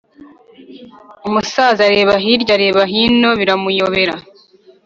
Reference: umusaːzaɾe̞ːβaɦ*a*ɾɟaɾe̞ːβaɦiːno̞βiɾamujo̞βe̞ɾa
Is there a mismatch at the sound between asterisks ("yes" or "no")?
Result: yes